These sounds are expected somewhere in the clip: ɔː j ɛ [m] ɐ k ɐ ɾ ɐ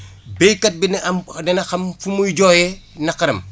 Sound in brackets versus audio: incorrect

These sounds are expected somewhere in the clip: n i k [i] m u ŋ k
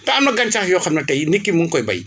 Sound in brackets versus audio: correct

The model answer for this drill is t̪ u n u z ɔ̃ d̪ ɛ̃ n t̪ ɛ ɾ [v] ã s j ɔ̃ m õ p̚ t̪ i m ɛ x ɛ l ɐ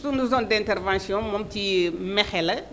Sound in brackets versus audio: correct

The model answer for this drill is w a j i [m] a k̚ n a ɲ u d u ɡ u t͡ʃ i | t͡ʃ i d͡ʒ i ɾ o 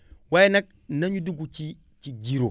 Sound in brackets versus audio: incorrect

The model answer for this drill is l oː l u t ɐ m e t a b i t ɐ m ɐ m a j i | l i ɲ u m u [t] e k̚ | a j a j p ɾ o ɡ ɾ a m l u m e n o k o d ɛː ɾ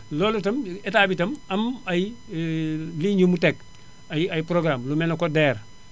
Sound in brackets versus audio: correct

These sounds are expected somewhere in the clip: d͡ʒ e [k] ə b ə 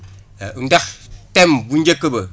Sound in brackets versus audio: correct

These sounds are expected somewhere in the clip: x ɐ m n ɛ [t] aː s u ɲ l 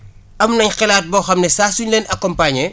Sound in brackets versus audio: incorrect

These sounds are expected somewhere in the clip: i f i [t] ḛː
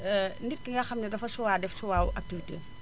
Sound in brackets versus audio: correct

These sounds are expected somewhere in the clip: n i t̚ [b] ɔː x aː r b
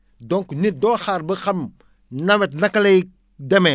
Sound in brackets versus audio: incorrect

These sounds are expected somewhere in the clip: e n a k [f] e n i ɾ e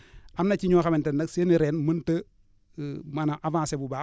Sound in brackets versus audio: incorrect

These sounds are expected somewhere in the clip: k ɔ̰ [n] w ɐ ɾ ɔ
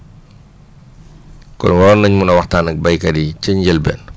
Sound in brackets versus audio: correct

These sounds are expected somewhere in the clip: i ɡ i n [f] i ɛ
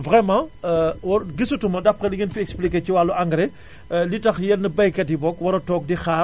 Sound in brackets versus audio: correct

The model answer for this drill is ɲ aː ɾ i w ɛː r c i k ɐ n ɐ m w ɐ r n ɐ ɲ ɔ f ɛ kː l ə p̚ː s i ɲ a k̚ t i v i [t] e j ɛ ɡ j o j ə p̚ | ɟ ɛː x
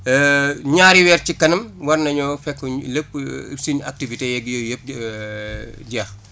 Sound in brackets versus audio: correct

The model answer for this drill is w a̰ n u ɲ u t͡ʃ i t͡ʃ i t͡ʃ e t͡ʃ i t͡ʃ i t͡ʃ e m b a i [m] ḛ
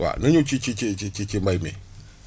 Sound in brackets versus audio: correct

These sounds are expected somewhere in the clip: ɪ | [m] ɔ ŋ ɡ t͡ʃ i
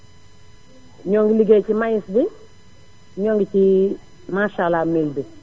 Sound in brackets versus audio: incorrect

